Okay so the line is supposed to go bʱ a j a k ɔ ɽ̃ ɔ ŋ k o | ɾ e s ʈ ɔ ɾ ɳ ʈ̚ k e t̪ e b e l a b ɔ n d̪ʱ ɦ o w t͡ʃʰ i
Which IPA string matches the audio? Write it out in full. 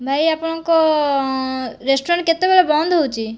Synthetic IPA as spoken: bʱ a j a p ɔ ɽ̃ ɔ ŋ k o | ɾ e s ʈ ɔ ɾ ɳ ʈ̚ k e t̪ e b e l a b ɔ n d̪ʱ ɦ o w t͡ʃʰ i